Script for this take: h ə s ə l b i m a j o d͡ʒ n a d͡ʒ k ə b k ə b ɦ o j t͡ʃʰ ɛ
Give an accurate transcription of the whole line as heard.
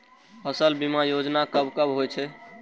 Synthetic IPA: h ə s ə l b i m a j o d͡ʒ n a k ə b k ə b ɦ o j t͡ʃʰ ɛ